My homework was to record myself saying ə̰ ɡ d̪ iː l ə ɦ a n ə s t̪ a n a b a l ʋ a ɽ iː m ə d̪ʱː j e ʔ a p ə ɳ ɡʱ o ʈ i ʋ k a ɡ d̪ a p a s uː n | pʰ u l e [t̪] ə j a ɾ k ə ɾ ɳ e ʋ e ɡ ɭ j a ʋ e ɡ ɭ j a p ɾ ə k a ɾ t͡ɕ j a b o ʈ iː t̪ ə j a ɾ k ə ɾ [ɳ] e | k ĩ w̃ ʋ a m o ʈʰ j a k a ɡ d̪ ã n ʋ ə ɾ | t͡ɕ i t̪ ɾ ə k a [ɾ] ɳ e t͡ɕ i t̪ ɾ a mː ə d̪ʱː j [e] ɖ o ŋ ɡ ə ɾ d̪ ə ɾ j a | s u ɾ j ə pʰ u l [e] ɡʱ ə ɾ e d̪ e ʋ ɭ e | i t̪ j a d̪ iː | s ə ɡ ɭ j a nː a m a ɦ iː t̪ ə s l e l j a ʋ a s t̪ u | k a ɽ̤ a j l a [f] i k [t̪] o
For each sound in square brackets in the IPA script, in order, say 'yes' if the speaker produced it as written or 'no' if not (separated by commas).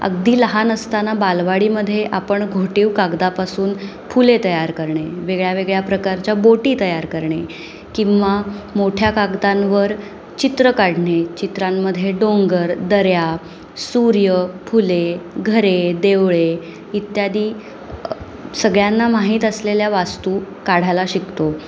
yes, yes, no, yes, yes, no, yes